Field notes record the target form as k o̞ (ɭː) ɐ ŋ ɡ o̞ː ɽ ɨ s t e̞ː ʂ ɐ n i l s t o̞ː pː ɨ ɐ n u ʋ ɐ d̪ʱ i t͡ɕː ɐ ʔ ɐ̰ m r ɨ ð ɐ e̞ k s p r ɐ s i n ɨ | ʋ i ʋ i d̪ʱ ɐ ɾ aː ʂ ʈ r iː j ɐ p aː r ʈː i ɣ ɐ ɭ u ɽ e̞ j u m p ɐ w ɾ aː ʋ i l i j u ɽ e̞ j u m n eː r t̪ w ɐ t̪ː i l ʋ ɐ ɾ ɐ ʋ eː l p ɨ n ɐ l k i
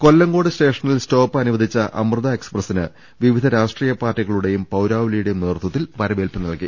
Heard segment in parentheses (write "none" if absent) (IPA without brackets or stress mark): lː